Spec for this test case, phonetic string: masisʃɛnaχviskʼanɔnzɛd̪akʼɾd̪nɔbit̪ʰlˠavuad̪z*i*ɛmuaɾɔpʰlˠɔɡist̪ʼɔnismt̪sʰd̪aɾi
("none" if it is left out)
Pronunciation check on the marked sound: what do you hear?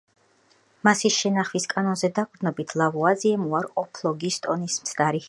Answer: i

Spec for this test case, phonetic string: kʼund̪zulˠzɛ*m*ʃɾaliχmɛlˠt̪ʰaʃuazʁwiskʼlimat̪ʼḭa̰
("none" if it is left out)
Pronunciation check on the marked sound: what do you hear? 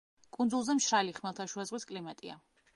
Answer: m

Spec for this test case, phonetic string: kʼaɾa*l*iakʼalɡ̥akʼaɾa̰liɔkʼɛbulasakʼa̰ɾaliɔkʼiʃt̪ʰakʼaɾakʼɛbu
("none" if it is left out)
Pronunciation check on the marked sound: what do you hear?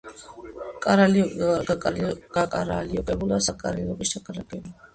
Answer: l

